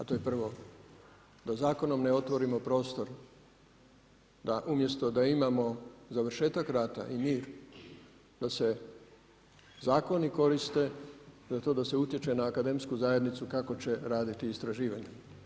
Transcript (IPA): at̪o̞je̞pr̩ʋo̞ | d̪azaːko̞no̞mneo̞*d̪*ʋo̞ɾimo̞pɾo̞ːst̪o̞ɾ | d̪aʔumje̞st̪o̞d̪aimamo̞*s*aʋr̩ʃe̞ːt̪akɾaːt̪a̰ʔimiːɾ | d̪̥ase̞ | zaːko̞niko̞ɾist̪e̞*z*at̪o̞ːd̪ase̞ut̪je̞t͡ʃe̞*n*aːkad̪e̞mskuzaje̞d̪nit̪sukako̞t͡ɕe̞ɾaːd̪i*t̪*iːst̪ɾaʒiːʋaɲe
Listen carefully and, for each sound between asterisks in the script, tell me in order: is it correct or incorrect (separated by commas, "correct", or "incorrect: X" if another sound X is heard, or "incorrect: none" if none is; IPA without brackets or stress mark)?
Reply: incorrect: t̪, incorrect: z, correct, correct, correct